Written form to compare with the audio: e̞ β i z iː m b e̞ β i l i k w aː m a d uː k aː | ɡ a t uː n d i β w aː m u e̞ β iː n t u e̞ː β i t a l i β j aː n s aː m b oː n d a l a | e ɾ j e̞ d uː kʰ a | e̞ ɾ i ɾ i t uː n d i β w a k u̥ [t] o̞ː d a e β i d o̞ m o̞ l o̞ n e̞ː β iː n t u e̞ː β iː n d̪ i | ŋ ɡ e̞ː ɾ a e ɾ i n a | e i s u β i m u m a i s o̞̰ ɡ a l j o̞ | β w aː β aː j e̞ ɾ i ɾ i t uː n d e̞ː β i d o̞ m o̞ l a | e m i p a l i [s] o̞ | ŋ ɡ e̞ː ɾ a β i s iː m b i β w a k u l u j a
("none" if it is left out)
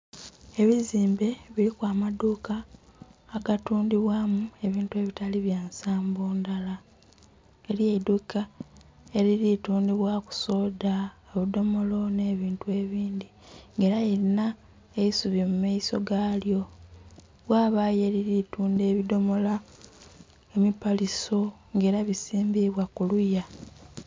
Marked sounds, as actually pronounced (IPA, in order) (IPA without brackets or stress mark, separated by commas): s, s